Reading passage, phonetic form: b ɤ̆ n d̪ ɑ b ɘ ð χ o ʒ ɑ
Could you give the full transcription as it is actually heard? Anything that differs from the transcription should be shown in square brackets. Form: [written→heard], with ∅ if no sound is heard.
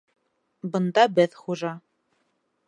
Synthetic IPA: b ɤ̆ n d̪ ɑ b ɘ ð χ [o→u] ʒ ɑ